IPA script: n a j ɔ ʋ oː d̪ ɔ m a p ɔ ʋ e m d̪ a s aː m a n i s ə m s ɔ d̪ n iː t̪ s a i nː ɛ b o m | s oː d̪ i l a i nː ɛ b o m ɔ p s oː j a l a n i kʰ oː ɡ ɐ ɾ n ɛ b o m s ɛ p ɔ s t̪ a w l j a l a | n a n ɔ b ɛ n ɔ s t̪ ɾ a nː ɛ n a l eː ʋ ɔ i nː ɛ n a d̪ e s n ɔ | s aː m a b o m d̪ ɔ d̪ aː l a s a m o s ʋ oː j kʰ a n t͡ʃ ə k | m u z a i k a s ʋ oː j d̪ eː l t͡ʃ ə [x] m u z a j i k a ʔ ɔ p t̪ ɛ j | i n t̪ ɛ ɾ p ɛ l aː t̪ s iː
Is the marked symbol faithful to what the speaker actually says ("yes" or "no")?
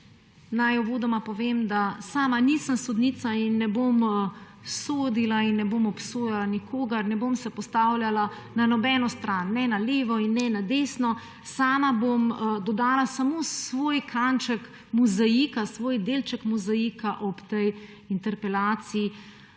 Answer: no